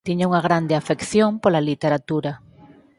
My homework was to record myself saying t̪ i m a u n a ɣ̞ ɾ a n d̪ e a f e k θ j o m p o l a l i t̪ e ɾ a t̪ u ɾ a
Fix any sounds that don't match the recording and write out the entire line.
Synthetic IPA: t̪ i ɲ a u ŋ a ɣ̞ ɾ a n d̪ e a f e k θ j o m p o l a l i t̪ e ɾ a t̪ u ɾ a